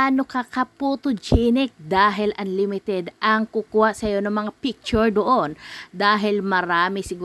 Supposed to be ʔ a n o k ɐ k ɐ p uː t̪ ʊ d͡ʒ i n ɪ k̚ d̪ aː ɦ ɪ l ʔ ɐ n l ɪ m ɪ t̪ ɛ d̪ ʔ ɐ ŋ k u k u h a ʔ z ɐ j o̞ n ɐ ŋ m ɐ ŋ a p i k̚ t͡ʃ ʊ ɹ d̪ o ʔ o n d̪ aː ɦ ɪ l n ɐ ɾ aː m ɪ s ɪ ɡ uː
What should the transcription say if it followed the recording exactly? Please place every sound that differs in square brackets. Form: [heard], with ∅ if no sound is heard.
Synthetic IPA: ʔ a n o k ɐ k ɐ p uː t̪ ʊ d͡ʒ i n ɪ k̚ d̪ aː ɦ ɪ l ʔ ɐ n l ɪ m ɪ t̪ ɛ d̪ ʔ ɐ ŋ k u k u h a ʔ [s] ɐ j o̞ n ɐ ŋ m ɐ ŋ a p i k̚ t͡ʃ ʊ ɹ d̪ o ʔ o n d̪ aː ɦ ɪ l [m] ɐ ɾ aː m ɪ s ɪ ɡ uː